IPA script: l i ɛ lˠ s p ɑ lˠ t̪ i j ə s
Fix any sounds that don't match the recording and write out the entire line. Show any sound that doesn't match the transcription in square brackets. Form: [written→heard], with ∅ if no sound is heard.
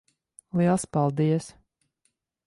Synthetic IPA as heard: l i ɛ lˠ s p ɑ lˠ [t̪→d̪] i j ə s